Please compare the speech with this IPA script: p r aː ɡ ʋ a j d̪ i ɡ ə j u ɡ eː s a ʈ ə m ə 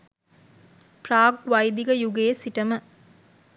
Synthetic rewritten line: p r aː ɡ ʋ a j d̪ i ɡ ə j u ɡ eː s i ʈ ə m ə

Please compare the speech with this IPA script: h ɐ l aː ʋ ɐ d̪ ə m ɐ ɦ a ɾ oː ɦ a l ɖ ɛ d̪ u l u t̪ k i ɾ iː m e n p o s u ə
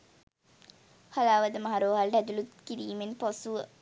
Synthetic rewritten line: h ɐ l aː ʋ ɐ d̪ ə m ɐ ɦ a ɾ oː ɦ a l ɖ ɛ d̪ u l u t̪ k i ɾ iː m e n p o s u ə

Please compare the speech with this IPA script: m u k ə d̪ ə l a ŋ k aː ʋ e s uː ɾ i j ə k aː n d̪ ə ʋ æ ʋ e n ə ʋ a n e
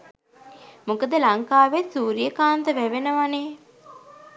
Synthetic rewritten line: m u k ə d̪ ə l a ŋ k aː ʋ e s uː ɾ i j ə k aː n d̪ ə ʋ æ ʋ e n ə ʋ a n e

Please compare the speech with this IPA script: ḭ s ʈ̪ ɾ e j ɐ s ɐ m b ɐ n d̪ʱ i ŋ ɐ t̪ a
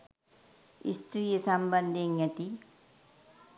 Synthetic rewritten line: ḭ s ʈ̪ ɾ i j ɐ s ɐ m b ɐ n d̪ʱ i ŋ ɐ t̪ i

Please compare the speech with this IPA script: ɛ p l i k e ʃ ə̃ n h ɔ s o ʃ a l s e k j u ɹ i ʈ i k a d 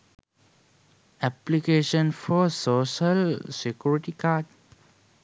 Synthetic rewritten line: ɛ p l i k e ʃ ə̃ n f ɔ s o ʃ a l s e k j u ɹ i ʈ i k a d

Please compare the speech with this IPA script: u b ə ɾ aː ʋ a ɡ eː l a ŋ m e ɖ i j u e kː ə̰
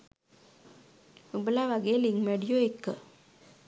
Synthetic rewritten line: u b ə l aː ʋ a ɡ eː l i ŋ m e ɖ i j o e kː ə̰

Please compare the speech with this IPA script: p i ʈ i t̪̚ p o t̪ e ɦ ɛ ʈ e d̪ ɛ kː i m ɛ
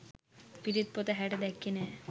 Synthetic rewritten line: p i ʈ i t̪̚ p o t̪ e ɦ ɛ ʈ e d̪ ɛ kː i n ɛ

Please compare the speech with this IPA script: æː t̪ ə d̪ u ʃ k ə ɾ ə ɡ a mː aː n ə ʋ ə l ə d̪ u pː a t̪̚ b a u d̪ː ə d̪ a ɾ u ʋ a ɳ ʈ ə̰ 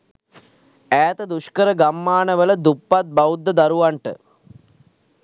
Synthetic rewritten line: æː t̪ ə d̪ u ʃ k ə ɾ ə ɡ a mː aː n ə ʋ ə l ə d̪ u pː a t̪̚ b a u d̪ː ə d̪ a ɾ u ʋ a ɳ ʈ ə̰

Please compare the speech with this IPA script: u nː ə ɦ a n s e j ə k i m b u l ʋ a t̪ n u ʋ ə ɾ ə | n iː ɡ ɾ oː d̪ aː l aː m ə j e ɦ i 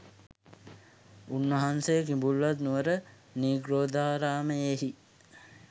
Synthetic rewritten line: u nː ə ɦ a n s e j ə k i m b u l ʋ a t̪ n u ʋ ə ɾ ə | n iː ɡ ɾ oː d̪ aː ɾ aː m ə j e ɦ i

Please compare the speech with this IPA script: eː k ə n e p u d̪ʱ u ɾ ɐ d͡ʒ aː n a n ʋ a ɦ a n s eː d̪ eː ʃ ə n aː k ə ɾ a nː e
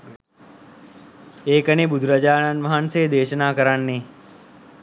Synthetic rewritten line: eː k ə n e b u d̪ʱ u ɾ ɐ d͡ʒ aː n a n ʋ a ɦ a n s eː d̪ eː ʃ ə n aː k ə ɾ a nː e

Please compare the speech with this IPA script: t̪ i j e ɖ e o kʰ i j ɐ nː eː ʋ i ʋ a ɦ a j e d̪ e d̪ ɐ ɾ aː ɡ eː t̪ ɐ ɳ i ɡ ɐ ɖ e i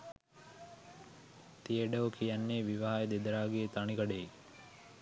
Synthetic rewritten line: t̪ i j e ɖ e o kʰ i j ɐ nː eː ʋ i ʋ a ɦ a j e d̪ e d̪ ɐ ɾ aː ɡ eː t̪ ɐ ɳ i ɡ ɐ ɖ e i

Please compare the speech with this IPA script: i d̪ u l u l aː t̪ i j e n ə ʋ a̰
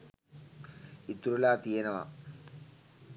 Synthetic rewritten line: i t̪ u ɾ u l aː t̪ i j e n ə ʋ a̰

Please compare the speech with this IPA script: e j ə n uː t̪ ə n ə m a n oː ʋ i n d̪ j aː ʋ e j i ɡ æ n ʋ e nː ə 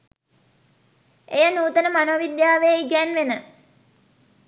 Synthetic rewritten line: e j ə n uː t̪ ə n ə m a n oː ʋ i d̪ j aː ʋ e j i ɡ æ n ʋ e n ə

